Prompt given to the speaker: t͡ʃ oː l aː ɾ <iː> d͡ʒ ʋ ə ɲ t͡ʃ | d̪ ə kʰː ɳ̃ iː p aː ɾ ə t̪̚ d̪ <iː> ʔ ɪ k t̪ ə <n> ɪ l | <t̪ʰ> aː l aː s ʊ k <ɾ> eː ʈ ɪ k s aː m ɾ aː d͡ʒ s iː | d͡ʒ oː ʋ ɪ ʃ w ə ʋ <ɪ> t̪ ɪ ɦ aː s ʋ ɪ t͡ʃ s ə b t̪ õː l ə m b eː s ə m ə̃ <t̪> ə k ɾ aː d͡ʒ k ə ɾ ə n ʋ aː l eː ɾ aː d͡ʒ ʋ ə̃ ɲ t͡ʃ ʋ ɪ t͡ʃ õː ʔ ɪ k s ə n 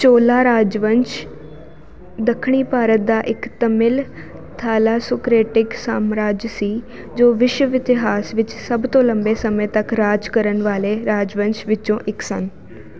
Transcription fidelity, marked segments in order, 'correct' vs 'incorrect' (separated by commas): incorrect, incorrect, incorrect, correct, correct, correct, correct